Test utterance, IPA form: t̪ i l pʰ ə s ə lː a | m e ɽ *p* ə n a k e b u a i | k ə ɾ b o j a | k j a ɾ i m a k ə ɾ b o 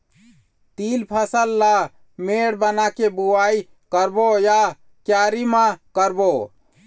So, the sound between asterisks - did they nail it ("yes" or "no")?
no